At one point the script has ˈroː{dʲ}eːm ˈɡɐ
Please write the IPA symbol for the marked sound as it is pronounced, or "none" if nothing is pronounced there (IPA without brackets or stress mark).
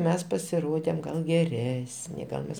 dʲ